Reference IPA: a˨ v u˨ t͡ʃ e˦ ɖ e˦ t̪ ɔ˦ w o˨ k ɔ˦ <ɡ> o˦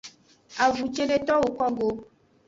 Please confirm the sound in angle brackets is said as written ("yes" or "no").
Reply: yes